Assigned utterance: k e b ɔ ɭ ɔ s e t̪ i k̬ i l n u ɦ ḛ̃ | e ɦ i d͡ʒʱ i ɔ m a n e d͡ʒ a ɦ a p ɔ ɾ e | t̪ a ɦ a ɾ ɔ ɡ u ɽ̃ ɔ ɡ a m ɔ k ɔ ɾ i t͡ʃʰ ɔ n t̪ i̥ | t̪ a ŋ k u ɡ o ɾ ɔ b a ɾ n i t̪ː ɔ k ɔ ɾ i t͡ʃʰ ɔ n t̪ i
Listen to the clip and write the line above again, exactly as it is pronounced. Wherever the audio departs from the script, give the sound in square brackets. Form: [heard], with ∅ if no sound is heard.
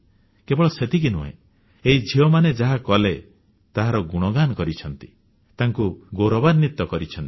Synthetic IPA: k e b ɔ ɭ ɔ s e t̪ i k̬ i [∅] n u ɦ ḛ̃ | e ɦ i d͡ʒʱ i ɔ m a n e d͡ʒ a ɦ a [k] ɔ [l] e | t̪ a ɦ a ɾ ɔ ɡ u ɽ̃ ɔ ɡ a [n] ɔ k ɔ ɾ i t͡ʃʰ ɔ n t̪ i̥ | t̪ a ŋ k u ɡ o ɾ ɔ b a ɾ n i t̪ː ɔ k ɔ ɾ i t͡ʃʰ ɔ n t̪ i